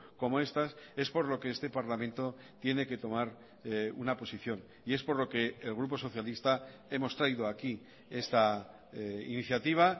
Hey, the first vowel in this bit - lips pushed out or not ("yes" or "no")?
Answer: yes